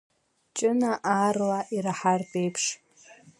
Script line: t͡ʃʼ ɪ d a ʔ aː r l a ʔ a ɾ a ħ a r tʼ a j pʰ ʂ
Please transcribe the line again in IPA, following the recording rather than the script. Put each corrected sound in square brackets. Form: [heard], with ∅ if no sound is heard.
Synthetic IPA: t͡ʃʼ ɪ [n] a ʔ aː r l a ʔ [i] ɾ a ħ a r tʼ [e] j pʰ ʂ